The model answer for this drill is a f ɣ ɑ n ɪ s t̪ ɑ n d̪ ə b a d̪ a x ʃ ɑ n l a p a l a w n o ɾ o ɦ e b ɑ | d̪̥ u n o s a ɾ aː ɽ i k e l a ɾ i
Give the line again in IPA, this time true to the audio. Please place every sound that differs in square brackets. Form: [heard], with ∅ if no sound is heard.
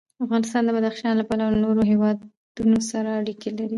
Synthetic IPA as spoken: a f ɣ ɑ n ɪ s t̪ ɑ n d̪ ə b a d̪ a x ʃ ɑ n l a p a l a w n o ɾ o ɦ e [w] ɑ | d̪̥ u n o s a ɾ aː ɽ i k e l a ɾ i

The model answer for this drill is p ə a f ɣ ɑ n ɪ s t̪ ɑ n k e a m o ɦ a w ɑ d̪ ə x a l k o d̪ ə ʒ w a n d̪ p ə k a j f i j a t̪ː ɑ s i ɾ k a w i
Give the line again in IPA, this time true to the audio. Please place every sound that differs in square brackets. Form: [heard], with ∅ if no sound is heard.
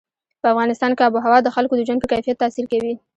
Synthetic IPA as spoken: p ə a f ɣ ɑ n ɪ s t̪ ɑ n k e a [b] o ɦ a w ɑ d̪ ə x a l k o d̪ ə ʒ w a n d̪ p ə k a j f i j a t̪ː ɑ s i ɾ k a w i

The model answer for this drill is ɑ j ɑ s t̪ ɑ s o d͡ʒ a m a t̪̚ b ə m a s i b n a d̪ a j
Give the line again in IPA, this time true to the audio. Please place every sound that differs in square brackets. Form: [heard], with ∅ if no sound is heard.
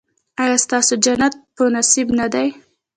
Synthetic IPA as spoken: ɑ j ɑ s t̪ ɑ s o d͡ʒ a [n] a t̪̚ [p] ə [n] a s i b n a d̪ a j

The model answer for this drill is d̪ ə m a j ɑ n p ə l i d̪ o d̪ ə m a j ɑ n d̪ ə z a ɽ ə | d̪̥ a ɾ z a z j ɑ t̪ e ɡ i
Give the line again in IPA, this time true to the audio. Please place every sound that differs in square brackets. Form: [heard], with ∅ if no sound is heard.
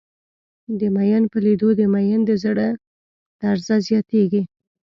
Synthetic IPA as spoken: d̪ ə m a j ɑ n p ə l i d̪ o d̪ ə m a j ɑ n d̪ ə z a ɽ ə | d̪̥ a ɾ z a z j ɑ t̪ e ɡ i

